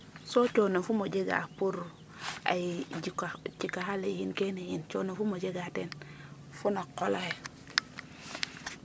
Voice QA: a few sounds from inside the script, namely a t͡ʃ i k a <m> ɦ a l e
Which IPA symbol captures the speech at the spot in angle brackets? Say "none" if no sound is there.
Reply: none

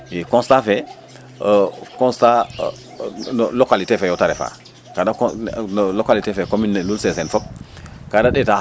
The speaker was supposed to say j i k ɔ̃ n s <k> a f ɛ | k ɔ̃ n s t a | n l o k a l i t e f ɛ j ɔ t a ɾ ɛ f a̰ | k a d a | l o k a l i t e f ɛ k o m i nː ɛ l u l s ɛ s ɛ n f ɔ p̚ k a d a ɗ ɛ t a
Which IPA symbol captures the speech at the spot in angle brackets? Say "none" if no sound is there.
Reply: t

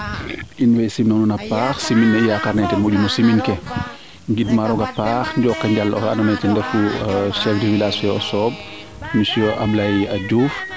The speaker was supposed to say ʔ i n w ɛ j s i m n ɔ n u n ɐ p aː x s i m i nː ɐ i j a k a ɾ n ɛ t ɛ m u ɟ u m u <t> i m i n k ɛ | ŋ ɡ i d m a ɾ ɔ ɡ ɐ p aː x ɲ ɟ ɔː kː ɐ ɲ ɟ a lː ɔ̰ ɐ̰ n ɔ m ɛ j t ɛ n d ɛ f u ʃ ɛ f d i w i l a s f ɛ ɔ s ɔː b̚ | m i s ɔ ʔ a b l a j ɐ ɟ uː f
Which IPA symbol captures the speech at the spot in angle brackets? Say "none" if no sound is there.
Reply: s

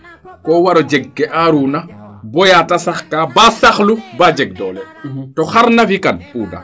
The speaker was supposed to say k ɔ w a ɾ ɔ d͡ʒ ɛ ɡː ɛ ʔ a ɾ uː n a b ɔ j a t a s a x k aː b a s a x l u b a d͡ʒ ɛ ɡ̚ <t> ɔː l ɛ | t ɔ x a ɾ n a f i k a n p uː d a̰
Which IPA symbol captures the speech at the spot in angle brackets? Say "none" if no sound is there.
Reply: d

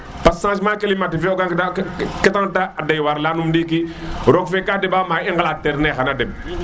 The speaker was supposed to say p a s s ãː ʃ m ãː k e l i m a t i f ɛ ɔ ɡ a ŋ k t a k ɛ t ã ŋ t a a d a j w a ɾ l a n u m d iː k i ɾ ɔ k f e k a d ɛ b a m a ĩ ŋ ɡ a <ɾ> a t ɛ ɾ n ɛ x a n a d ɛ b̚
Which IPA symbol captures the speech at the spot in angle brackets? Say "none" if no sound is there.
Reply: l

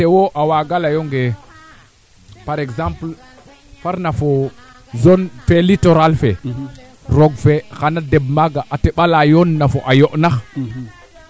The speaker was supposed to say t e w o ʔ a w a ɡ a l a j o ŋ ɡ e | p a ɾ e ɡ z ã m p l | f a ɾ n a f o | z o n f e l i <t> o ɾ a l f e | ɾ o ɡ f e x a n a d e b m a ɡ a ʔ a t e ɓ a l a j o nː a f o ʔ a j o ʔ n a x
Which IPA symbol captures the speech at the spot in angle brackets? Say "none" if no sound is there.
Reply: t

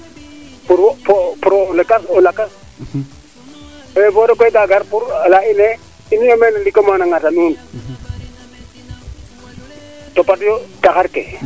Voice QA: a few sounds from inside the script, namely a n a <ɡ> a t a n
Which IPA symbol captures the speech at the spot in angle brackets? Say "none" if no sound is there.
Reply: ŋ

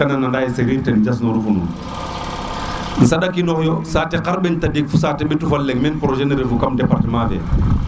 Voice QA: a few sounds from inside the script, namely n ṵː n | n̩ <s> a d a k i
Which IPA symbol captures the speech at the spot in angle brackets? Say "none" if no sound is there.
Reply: s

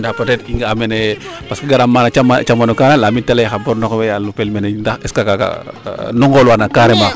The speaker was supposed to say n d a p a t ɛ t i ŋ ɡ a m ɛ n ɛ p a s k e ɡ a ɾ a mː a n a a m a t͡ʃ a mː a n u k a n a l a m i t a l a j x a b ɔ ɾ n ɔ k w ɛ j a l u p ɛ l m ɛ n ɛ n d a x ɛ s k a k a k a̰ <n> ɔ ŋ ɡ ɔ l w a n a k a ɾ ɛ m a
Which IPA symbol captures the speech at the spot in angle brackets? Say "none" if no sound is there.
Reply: n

